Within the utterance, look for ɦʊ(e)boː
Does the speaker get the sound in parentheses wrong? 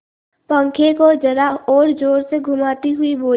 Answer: yes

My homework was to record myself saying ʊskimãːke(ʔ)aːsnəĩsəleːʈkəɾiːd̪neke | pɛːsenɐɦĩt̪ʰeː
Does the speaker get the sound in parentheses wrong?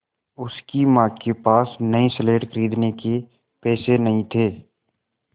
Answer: yes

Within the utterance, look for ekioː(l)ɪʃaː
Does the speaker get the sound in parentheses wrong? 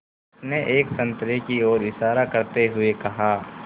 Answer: yes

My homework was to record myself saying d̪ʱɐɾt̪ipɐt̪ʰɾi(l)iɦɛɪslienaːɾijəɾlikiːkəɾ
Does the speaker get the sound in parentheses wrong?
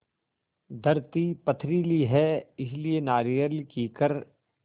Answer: no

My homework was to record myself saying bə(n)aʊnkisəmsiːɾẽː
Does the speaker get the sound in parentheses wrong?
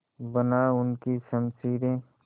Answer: no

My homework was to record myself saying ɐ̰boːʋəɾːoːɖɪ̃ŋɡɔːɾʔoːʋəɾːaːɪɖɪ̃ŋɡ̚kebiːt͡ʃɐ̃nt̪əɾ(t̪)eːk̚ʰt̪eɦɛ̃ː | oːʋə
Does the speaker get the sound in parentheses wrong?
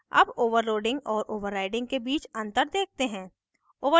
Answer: yes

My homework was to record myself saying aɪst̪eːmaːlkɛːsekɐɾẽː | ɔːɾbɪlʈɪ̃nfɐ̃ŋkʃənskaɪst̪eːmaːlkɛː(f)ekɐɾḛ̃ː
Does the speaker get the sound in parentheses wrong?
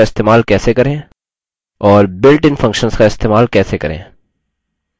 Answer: yes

